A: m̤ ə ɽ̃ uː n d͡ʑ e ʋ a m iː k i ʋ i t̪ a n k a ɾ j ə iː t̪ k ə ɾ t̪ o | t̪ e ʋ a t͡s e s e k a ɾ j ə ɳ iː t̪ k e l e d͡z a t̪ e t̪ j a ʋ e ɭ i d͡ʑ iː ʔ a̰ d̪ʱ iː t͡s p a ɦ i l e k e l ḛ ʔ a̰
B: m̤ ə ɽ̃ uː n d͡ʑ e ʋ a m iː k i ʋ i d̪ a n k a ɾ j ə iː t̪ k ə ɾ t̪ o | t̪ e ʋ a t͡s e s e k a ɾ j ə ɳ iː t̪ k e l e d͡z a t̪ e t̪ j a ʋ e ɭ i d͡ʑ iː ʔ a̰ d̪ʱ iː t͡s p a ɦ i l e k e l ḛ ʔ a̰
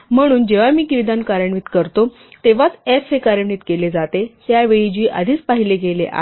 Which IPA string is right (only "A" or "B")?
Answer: B